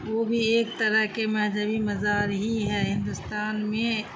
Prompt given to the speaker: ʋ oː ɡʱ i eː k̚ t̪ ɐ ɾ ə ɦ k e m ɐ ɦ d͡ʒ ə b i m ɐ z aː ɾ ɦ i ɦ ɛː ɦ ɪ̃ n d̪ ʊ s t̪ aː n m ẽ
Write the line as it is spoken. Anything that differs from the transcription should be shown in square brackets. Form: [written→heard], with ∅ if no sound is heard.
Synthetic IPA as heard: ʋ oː [ɡʱ→bʱ] i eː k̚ t̪ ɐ ɾ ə ɦ k e m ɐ ɦ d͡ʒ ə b i m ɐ z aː ɾ ɦ i ɦ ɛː ɦ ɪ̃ n d̪ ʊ s t̪ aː n m ẽ